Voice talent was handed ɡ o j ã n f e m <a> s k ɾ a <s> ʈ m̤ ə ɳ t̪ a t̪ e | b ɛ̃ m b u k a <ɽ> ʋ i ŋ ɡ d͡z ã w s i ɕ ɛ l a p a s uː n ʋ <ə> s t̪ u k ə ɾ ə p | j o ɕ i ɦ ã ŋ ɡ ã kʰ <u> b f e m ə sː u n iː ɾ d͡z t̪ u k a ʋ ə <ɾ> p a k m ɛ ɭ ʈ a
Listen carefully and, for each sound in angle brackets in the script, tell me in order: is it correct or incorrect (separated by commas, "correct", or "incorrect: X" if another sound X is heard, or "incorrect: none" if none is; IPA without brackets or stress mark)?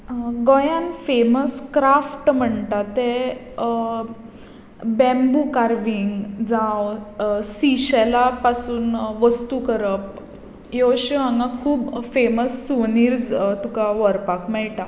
incorrect: ə, incorrect: f, incorrect: ɾ, correct, incorrect: uː, correct